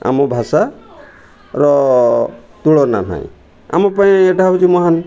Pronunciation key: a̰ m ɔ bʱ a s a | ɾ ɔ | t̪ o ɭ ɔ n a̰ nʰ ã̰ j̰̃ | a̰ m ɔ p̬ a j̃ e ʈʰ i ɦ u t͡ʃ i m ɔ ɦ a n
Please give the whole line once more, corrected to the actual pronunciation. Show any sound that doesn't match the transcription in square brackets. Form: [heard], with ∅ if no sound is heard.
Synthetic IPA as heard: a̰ m ɔ bʱ a s a | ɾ ɔ | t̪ [u] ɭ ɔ n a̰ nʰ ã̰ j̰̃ | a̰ m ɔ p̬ a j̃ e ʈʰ [a] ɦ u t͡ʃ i m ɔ ɦ a n

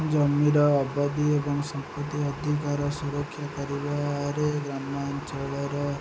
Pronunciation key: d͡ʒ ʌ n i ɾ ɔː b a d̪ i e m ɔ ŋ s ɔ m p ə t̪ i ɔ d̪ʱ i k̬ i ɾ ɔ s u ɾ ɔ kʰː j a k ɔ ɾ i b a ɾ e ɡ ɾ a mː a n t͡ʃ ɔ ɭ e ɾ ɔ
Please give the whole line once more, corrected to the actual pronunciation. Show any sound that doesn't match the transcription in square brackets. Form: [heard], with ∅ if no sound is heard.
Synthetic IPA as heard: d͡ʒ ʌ [m] i ɾ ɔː b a d̪ i e [b] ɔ ŋ s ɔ m p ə t̪ i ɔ d̪ʱ i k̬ [a] ɾ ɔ s u ɾ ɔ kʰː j a k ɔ ɾ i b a ɾ e ɡ ɾ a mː a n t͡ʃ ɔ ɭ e ɾ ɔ

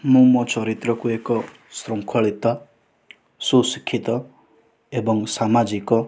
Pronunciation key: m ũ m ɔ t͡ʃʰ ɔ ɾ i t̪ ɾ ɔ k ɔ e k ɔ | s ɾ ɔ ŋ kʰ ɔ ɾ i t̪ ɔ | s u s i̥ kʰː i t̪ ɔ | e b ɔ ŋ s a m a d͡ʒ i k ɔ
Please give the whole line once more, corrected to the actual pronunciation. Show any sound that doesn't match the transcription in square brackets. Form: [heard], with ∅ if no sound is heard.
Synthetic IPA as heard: m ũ m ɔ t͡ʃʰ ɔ ɾ i t̪ ɾ ɔ k [u] e k ɔ | s ɾ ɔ ŋ kʰ ɔ [ɭ] i t̪ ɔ | s u s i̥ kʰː i t̪ ɔ | e b ɔ ŋ s a m a d͡ʒ i k ɔ

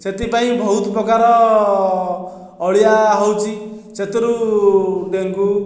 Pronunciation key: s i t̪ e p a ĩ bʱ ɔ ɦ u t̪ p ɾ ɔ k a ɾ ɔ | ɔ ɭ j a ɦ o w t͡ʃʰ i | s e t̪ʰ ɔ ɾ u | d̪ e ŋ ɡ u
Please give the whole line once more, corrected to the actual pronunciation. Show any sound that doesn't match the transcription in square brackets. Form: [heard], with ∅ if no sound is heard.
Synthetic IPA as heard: s [e] t̪ [i] p a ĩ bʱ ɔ ɦ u t̪ p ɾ ɔ k a ɾ ɔ | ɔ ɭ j a ɦ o w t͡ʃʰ i | s e [t̪] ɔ ɾ u | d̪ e ŋ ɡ u

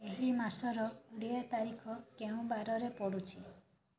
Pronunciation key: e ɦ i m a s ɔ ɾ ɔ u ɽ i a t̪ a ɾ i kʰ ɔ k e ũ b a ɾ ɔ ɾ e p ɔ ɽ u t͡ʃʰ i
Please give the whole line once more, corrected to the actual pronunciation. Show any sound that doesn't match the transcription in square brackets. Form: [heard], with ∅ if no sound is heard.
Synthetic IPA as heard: e ɦ i m a s ɔ ɾ ɔ u ɽ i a t̪ a ɾ i kʰ ɔ k e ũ b a ɾ ɔ ɾ e p ɔ ɽ u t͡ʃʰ i

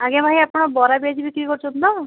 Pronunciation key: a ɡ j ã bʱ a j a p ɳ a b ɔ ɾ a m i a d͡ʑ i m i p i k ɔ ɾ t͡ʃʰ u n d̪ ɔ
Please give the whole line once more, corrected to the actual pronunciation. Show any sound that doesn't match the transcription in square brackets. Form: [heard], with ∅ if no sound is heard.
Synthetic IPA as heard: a ɡ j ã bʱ a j a p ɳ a b ɔ ɾ a [b] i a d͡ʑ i [b] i [k] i k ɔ ɾ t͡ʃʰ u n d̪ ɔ

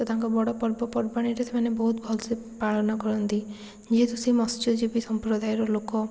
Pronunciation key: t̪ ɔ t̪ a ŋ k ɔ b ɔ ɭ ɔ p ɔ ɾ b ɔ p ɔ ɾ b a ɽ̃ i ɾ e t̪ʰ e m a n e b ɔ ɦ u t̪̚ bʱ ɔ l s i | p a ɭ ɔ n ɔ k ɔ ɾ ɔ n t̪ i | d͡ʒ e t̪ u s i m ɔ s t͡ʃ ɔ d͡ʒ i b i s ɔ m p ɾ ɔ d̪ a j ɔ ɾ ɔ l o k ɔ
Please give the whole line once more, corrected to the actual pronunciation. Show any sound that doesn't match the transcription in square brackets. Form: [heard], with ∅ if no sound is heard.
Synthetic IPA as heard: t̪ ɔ t̪ a ŋ k ɔ b ɔ [ɽ] ɔ p ɔ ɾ b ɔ p ɔ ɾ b a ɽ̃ i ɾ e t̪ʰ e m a n e b ɔ ɦ u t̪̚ bʱ ɔ l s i | p a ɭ ɔ n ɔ k ɔ ɾ ɔ n t̪ i | d͡ʒ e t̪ u s i m ɔ s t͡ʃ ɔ d͡ʒ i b i s ɔ m p ɾ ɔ d̪ a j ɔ ɾ ɔ l o k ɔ

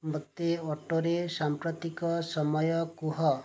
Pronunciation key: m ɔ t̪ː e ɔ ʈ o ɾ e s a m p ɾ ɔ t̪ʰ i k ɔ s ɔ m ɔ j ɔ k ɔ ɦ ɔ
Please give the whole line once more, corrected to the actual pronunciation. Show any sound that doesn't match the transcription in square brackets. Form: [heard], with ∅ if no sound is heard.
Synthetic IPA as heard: m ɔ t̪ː e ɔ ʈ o ɾ e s a m p ɾ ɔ [t̪] i k ɔ s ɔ m ɔ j ɔ k [u] ɦ ɔ

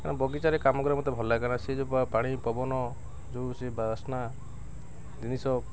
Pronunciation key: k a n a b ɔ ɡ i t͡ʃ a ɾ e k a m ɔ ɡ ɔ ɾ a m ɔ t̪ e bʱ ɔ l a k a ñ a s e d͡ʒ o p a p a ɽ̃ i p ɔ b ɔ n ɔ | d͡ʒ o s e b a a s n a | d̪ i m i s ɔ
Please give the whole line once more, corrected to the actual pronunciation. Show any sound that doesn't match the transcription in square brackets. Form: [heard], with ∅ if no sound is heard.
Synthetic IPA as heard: k a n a b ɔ ɡ i t͡ʃ a ɾ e k a m ɔ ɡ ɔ ɾ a m ɔ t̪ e bʱ ɔ l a k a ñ a s e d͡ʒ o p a p a ɽ̃ i p ɔ b ɔ n ɔ | d͡ʒ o s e b a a s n a | d̪ i [n] i s ɔ

